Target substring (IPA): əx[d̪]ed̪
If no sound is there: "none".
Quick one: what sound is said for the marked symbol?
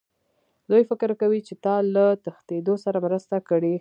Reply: t̪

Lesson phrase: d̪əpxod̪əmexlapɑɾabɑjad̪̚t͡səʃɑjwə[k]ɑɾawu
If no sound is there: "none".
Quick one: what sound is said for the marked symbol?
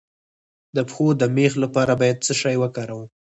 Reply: k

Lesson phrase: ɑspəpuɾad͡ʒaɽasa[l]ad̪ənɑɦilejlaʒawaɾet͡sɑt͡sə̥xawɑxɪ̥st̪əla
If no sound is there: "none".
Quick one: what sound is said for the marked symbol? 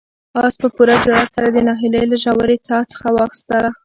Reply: ɾ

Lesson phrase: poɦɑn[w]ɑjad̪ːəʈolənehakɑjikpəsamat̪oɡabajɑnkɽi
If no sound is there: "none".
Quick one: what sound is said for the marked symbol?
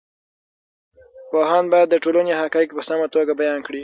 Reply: b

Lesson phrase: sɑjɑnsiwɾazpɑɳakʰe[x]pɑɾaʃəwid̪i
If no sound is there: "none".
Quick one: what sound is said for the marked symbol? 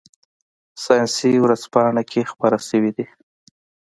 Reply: x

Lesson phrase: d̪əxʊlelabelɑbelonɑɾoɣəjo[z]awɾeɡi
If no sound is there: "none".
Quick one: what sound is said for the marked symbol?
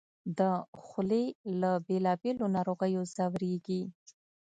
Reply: z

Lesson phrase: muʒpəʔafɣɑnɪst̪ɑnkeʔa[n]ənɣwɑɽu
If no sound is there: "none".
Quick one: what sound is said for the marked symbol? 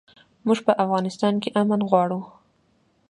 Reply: m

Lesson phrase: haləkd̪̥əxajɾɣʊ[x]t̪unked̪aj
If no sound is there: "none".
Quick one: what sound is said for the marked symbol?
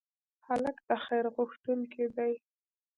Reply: x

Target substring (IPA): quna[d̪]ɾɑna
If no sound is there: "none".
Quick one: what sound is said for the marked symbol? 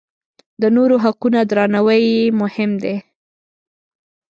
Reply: d̪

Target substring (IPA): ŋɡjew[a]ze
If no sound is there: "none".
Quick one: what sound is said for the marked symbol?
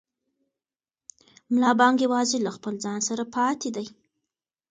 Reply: ɑ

